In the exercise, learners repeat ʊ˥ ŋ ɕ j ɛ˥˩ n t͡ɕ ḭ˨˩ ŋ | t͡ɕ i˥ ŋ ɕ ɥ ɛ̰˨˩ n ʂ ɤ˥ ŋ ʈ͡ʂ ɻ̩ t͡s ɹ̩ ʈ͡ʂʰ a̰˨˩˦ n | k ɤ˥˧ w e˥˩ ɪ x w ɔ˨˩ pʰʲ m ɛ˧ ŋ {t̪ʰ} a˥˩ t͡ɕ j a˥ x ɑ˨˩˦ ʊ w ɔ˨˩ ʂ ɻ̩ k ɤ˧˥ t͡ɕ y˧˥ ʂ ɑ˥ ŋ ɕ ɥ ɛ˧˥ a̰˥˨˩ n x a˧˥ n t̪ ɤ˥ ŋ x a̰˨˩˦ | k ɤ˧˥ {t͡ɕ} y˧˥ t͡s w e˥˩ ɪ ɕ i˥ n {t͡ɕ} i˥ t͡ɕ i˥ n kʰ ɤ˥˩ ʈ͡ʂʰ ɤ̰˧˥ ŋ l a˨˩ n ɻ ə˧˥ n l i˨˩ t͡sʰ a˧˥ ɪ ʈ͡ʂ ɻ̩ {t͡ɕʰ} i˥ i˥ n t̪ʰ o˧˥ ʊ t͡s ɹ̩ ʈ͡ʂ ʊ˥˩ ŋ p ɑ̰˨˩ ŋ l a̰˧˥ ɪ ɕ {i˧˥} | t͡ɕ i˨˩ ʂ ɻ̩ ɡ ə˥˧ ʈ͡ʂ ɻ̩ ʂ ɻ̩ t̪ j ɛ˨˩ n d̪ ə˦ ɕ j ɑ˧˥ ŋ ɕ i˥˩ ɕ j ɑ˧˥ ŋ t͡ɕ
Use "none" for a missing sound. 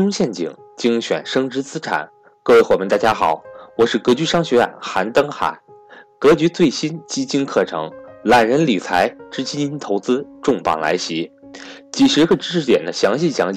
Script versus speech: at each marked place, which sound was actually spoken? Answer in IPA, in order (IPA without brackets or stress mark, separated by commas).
t̪, t͡ɕ, t͡ɕ, t͡ɕ, i˧˥